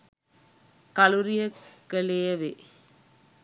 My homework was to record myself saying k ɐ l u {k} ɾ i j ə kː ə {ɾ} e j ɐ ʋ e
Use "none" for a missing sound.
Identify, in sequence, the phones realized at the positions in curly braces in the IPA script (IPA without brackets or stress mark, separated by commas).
none, l